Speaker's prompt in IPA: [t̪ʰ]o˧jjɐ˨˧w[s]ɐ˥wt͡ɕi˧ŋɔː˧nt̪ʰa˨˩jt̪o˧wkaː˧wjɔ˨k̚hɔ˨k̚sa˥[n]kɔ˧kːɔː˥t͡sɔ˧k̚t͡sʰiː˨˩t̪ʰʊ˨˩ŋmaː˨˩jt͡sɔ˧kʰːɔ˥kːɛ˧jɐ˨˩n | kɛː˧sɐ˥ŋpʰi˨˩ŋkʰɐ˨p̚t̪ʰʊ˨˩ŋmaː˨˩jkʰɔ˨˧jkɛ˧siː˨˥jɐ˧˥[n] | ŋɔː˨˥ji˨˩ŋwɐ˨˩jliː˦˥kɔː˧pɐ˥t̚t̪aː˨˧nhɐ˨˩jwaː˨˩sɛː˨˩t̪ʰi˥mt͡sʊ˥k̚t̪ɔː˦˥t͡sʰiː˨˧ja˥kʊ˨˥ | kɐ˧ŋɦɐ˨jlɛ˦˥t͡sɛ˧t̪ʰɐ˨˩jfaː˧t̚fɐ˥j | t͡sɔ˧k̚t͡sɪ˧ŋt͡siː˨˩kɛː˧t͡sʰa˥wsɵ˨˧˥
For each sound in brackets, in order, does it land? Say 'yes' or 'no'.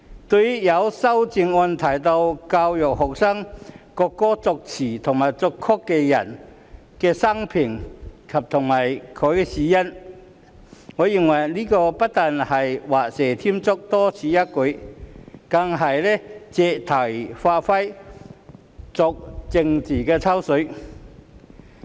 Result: no, yes, no, yes

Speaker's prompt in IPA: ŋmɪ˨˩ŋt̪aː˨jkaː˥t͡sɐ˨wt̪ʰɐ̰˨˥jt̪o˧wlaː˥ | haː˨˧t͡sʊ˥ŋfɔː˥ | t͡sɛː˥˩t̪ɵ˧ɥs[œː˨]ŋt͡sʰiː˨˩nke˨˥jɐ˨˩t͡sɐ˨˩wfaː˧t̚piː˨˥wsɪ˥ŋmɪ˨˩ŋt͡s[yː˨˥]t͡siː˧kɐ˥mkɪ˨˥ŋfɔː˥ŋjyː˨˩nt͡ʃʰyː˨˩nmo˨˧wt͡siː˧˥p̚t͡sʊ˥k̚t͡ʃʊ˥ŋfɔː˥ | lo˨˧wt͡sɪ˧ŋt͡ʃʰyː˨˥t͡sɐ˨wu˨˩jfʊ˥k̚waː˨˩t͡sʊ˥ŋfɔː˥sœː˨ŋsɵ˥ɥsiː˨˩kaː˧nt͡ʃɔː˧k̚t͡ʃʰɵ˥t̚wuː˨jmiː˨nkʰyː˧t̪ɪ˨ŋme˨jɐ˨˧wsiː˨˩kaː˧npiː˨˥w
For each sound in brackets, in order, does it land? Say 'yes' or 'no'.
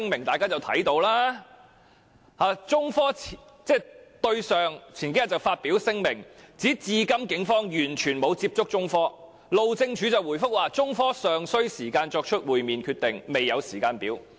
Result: yes, no

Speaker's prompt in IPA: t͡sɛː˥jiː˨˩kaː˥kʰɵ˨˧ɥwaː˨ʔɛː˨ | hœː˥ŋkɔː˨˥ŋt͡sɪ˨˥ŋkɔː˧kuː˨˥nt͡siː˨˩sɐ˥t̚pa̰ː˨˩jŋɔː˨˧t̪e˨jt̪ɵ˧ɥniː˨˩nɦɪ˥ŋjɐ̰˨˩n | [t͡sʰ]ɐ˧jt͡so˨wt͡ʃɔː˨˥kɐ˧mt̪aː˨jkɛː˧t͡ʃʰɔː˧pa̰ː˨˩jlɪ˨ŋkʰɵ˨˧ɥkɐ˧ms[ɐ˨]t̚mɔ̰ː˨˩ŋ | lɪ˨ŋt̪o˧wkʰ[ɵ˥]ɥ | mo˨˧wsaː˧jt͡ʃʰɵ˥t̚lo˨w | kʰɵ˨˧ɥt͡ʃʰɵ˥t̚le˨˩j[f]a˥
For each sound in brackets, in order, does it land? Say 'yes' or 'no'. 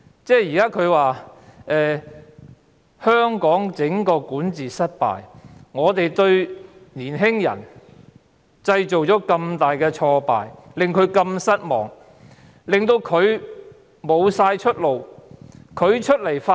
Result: no, no, no, yes

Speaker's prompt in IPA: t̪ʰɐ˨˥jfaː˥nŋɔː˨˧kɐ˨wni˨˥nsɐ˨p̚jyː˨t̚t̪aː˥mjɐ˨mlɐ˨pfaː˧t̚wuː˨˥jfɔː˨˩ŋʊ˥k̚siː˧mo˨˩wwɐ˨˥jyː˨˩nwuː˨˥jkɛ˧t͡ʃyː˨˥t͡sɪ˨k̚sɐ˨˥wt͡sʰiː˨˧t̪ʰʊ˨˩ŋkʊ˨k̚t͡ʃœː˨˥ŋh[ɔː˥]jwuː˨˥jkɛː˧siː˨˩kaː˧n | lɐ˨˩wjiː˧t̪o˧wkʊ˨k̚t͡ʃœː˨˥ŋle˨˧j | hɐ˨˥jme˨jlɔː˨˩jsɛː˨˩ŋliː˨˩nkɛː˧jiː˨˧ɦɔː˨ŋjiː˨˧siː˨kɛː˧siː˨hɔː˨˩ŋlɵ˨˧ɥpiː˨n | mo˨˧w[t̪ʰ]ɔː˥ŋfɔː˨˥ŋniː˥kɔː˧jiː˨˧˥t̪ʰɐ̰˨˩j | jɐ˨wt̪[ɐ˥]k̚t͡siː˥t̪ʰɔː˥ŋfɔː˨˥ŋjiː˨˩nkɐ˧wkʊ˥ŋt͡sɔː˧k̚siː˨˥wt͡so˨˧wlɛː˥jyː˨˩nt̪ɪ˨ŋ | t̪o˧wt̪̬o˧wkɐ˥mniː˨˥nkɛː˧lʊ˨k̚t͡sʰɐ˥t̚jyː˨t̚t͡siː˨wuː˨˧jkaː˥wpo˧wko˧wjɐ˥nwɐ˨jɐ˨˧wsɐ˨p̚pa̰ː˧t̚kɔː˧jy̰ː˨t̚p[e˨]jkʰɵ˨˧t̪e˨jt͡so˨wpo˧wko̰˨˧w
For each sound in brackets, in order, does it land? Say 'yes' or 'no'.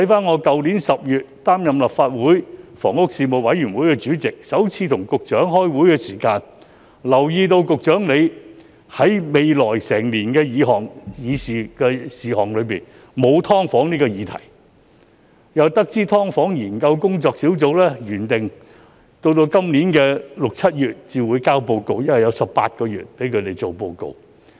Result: yes, yes, yes, no

